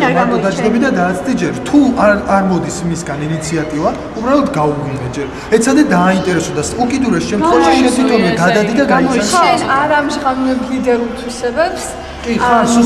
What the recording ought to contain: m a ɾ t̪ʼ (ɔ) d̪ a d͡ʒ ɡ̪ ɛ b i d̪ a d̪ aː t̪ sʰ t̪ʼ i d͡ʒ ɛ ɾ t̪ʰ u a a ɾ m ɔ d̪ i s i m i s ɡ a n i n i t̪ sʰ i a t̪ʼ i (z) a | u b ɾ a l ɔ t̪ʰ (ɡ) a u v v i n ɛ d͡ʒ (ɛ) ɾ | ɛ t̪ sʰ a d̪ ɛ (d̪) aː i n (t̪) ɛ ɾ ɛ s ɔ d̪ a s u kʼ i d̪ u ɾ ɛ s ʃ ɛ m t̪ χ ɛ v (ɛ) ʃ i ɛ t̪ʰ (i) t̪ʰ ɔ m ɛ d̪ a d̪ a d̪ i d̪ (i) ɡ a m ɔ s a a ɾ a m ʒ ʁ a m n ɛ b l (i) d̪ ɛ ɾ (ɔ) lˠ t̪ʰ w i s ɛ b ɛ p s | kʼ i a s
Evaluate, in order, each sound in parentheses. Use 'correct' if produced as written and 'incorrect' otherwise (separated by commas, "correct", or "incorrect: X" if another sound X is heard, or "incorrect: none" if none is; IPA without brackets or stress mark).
correct, incorrect: v, correct, correct, correct, incorrect: t̪ʼ, incorrect: a, correct, incorrect: a, correct, incorrect: u